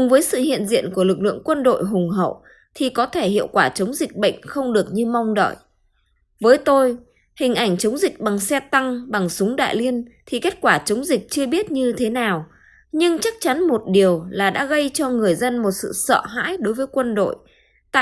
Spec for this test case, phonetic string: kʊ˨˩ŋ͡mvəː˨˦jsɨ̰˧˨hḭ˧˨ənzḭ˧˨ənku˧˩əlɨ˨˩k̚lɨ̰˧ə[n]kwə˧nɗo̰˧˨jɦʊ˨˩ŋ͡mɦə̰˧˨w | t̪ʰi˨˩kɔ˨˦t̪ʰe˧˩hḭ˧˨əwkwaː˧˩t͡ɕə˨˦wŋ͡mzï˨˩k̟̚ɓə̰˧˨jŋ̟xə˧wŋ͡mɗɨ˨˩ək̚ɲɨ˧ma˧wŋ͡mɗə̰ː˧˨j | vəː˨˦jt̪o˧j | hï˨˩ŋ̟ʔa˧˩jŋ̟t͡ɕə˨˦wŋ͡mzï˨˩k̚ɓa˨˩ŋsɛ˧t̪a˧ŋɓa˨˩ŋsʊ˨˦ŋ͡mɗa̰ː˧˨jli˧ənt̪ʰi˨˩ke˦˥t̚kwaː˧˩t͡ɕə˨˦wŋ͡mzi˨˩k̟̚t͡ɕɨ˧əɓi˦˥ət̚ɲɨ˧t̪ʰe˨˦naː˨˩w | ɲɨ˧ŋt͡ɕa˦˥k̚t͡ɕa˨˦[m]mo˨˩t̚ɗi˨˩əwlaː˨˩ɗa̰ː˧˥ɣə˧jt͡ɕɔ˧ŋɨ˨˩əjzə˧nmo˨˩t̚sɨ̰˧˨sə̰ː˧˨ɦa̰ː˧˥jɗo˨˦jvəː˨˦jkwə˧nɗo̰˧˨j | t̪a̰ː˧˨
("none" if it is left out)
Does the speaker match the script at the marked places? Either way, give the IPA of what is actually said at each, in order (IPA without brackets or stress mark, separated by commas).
ŋ, n